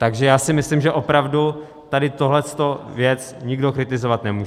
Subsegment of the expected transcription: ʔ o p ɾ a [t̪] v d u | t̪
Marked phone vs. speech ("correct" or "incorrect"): incorrect